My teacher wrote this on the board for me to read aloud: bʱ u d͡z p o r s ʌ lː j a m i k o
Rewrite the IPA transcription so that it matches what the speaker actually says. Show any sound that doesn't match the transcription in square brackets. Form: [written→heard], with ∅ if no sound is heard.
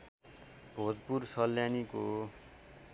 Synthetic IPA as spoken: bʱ [u→o] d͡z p [o→u] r s ʌ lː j a [m→n] i k o